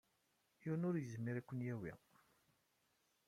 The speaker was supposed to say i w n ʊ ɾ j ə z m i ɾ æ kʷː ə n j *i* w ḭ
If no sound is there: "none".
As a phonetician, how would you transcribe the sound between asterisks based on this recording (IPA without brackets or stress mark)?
æ